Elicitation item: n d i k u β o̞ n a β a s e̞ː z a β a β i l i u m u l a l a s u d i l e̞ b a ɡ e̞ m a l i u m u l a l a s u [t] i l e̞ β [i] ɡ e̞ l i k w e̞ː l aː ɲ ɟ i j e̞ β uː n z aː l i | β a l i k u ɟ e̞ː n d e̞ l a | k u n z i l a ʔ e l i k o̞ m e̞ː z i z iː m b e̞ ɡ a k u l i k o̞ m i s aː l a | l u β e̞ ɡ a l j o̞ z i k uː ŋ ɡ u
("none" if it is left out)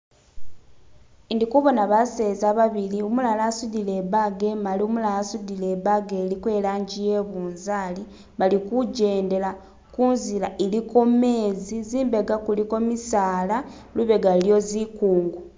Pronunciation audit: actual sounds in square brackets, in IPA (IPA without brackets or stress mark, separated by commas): d, a